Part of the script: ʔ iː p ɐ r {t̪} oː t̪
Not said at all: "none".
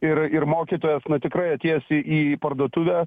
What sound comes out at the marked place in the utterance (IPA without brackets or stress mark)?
d̪